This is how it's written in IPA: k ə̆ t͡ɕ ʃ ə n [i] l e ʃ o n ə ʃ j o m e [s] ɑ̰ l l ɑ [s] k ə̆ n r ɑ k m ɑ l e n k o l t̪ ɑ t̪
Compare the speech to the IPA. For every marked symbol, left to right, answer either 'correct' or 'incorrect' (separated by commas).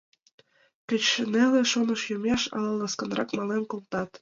incorrect, incorrect, correct